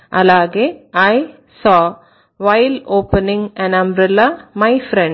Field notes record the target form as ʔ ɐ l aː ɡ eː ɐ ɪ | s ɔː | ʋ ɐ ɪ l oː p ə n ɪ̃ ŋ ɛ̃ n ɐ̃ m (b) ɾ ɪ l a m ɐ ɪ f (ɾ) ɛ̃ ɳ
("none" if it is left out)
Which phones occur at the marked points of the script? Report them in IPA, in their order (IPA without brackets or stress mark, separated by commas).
b, ɾ